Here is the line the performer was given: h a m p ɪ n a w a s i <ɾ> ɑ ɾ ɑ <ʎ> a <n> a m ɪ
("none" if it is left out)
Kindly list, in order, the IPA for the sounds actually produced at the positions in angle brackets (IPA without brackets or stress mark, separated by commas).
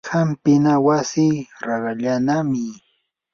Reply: ɾ, ʎ, n